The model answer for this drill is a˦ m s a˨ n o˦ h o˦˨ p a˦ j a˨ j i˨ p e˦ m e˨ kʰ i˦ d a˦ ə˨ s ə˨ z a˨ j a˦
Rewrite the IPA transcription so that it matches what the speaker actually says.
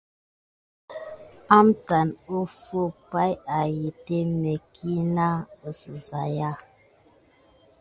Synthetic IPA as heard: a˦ m t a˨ n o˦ f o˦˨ p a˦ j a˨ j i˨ t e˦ m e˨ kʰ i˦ n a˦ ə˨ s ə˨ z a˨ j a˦

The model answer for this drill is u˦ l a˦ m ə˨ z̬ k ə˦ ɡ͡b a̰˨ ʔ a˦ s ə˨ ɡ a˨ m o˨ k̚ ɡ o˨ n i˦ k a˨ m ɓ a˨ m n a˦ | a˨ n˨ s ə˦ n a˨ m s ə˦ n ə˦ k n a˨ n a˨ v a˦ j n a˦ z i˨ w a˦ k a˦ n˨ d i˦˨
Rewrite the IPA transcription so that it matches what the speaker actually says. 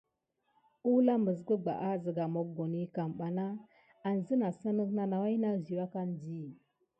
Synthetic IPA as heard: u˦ l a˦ m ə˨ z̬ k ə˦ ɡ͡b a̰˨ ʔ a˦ z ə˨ ɡ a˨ m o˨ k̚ ɡ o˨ n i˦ k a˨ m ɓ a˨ n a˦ | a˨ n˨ z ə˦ n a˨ s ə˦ n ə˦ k n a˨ n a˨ w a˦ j n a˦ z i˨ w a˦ k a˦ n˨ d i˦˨

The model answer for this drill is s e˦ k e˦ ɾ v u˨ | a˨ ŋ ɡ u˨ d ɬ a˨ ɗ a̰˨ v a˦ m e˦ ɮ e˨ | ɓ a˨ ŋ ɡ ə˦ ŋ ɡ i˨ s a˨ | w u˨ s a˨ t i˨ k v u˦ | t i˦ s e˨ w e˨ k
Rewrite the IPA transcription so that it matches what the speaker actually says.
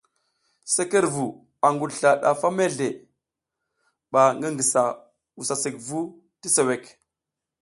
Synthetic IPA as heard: s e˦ k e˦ ɾ v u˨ | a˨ ŋ ɡ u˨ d ɬ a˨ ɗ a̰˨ f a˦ m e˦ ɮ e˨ | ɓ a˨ ŋ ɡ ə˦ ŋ ɡ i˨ s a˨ | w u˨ s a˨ s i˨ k v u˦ | t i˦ s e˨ w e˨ k

